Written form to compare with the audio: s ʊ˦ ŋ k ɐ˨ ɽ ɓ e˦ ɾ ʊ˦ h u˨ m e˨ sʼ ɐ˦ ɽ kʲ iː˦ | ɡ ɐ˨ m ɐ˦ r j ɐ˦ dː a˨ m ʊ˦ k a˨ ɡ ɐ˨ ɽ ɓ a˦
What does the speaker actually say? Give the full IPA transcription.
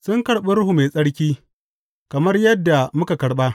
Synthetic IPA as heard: s ʊ˦ ŋ k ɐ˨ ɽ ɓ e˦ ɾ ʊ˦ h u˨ m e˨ sʼ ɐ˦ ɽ kʲ iː˦ | k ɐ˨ m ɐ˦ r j ɐ˦ dː a˨ m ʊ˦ k a˨ k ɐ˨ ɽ ɓ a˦

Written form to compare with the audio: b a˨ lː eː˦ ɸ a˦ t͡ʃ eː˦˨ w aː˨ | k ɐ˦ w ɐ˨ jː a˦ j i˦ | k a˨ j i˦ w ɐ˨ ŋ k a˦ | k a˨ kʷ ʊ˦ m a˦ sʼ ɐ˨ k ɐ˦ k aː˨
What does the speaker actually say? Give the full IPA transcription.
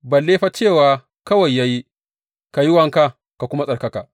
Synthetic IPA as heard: b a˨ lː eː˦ ɸ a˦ t͡ʃ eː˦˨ w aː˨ | k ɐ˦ w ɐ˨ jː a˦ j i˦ | k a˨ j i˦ w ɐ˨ ŋ k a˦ | k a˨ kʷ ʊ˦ m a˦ sʼ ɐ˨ k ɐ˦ k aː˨

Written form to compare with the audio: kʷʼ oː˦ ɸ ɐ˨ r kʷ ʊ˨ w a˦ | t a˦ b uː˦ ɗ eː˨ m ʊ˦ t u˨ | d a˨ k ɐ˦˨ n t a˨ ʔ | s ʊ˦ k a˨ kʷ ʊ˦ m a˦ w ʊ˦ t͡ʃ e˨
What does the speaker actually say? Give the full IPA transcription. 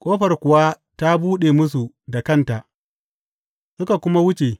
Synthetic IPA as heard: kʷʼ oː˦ ɸ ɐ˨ r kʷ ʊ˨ w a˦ | t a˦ b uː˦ ɗ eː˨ m ʊ˦ s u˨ | d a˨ k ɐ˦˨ n t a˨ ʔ | s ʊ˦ k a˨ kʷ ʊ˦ m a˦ w ʊ˦ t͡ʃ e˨

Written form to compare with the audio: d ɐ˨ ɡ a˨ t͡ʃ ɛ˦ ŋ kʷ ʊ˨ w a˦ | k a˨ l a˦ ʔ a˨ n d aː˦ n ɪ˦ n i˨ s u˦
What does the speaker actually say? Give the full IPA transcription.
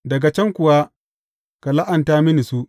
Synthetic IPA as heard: d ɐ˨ ɡ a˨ t͡ʃ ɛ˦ ŋ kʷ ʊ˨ w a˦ | k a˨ l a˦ ʔ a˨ n t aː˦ m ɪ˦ n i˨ s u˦

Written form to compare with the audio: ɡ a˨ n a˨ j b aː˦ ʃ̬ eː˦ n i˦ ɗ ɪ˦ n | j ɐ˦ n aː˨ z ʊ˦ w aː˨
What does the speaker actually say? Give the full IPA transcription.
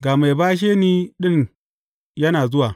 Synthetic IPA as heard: ɡ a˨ m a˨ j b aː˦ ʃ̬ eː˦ n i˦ ɗ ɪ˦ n | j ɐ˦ n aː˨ z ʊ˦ w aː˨

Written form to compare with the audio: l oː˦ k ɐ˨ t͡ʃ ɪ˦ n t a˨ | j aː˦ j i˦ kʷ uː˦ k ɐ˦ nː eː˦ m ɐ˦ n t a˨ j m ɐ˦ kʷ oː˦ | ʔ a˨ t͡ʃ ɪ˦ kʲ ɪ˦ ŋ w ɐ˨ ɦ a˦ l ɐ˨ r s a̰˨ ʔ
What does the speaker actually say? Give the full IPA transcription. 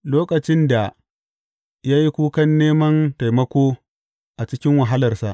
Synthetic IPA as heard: l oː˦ k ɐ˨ t͡ʃ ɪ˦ n d a˨ | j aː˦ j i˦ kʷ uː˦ k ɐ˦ nː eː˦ m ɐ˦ n t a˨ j m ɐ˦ kʷ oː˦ | ʔ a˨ t͡ʃ ɪ˦ kʲ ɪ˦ ŋ w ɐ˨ ɦ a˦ l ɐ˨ r s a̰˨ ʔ

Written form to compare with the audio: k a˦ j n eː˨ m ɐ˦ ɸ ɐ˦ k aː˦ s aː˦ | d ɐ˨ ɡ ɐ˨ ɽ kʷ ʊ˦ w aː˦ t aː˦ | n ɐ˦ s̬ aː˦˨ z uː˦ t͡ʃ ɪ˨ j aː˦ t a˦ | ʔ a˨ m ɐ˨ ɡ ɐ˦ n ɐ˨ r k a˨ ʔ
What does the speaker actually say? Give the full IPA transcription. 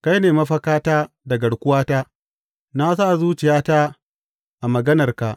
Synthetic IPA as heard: k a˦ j n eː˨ m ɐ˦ ɸ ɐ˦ k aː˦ t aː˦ | d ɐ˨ ɡ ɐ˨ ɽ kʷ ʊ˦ w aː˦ t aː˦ | n a˦ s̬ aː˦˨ z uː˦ t͡ʃ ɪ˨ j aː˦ t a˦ | ʔ a˨ m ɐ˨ ɡ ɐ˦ n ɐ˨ r k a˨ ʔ

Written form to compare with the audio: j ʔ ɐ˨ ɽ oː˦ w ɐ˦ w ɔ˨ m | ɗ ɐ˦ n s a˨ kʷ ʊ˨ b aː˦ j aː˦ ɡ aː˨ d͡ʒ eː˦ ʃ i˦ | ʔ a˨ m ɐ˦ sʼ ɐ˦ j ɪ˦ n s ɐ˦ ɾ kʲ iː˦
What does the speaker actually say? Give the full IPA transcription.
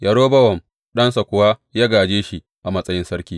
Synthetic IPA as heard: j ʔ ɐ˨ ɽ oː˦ b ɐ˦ w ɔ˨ m | ɗ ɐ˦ n s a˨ kʷ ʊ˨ w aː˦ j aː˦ ɡ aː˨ d͡ʒ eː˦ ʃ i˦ | ʔ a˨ m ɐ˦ sʼ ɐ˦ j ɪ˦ n s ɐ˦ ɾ kʲ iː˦

